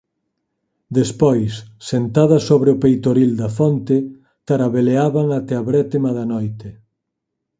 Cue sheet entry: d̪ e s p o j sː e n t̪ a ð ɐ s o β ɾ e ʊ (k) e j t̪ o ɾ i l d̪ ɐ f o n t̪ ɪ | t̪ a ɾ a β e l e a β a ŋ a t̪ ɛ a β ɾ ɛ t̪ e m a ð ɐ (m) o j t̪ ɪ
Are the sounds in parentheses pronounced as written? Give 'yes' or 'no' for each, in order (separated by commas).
no, no